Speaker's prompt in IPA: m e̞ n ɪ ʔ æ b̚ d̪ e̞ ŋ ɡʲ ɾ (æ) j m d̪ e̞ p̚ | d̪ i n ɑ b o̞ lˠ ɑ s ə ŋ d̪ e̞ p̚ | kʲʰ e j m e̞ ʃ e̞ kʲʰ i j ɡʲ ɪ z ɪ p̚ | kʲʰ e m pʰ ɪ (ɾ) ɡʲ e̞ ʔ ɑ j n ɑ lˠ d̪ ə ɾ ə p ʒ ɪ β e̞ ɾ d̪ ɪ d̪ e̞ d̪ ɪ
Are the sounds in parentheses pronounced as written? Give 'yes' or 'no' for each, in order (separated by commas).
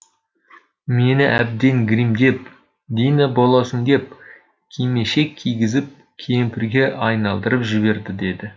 no, yes